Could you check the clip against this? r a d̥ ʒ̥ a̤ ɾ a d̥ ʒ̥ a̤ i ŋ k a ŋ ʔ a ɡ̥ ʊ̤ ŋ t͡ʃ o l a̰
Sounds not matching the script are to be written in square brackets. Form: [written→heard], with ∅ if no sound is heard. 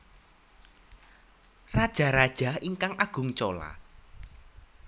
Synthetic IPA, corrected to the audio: r a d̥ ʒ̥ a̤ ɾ a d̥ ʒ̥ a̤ i ŋ k a ŋ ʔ a ɡ̥ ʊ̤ ŋ t͡ʃ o l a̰